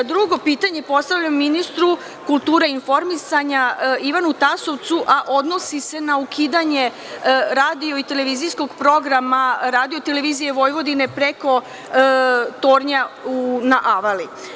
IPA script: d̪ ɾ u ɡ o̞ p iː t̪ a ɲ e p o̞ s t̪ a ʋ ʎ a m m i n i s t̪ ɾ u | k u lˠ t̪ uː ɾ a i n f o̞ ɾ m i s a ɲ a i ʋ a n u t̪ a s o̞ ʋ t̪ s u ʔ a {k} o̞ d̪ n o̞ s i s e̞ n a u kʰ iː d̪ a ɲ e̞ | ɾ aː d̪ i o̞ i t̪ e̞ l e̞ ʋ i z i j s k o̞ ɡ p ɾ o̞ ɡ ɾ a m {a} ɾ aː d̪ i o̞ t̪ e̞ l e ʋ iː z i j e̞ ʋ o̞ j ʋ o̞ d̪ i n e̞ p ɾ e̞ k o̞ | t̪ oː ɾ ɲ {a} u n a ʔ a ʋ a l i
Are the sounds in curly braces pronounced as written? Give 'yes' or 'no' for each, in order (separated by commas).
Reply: no, yes, yes